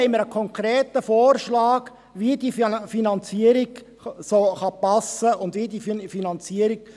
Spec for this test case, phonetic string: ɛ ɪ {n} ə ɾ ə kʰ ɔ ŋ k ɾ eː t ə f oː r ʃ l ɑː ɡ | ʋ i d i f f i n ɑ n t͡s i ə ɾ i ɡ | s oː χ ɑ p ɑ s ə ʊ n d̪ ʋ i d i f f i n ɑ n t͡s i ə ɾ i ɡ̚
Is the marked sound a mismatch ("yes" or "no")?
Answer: yes